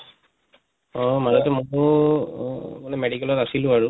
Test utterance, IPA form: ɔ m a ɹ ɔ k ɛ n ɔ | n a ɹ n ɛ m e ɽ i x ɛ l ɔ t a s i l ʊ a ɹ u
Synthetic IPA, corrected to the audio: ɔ m a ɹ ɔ t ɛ m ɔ | m a n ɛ m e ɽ i k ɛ l ɔ t a s i l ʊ a ɹ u